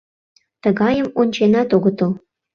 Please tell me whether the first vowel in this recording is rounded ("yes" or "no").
no